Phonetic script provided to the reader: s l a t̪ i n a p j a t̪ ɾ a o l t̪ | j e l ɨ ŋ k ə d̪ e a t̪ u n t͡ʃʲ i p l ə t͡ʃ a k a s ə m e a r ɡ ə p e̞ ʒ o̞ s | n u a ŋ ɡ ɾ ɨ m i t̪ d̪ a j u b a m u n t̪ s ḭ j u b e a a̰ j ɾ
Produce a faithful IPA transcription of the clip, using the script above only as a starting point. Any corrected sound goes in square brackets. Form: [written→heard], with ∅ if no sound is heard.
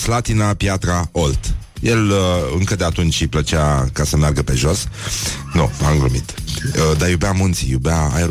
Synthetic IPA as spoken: s l a t̪ i n a p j a t̪ ɾ a o l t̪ | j e l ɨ ŋ k ə d̪ e a t̪ u n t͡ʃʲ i p l ə t͡ʃ a k a s ə m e a r ɡ ə p e̞ ʒ o̞ s | n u a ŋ ɡ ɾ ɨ m i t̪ d̪ a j u b a m u n t̪ s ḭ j u b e a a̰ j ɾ